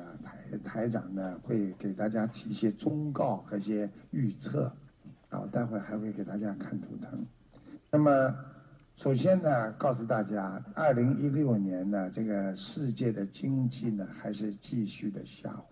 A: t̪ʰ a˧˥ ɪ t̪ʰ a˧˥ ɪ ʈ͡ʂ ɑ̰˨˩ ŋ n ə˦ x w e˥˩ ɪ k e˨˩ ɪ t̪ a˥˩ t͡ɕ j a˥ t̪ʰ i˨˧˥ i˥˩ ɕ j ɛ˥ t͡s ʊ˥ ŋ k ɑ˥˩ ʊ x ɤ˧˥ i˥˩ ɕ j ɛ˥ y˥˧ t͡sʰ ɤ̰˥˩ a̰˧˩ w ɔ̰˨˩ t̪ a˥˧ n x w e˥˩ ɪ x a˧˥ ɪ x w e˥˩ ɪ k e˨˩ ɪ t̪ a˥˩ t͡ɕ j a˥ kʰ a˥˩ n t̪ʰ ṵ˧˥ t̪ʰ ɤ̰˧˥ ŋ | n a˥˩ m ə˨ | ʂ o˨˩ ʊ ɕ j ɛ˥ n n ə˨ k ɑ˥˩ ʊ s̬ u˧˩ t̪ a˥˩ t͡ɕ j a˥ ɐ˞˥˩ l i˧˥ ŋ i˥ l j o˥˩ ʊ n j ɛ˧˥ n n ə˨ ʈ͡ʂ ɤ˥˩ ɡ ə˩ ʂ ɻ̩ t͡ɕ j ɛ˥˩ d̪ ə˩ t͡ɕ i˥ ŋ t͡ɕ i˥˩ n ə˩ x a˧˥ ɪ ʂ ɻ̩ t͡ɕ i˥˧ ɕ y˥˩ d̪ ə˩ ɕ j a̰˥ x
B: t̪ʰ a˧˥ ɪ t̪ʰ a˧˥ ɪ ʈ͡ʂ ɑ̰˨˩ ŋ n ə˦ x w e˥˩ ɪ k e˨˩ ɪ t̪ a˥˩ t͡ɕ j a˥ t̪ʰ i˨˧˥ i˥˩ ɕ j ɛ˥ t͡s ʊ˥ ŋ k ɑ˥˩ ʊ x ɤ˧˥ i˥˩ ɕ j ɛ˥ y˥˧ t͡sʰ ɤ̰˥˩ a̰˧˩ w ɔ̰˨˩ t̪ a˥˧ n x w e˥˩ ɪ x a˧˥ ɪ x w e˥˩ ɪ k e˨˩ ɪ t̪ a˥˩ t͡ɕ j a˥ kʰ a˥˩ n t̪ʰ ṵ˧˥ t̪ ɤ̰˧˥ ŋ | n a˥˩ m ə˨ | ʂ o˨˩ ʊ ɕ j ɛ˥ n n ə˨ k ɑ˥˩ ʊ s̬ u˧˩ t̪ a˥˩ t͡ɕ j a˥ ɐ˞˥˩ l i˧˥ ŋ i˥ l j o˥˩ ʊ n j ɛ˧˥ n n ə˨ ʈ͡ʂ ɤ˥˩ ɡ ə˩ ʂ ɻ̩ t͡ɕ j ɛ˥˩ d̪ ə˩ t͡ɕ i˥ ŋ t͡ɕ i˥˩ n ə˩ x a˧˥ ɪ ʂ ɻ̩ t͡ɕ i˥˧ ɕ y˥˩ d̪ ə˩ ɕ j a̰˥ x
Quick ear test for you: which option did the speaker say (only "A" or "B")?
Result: A